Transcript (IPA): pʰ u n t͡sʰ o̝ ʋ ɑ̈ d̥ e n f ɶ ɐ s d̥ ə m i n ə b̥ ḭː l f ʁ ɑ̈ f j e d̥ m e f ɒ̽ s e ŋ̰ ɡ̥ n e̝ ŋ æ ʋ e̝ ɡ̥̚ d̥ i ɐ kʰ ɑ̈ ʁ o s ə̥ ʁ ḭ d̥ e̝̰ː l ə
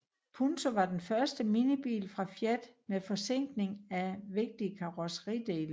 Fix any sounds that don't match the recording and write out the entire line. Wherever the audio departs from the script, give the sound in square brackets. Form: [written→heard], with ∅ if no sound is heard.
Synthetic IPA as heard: pʰ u n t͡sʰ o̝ ʋ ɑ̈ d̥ e n f ɶ ɐ s d̥ ə m i n ə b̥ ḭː l f ʁ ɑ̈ f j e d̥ m e f ɒ̽ s e ŋ̰ ɡ̥ n e̝ ŋ æ ʋ e̝ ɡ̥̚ d̥ i [ɐ→ə] kʰ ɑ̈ ʁ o s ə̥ ʁ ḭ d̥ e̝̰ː l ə